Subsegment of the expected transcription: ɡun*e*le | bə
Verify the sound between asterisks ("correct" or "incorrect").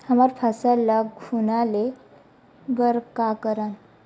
incorrect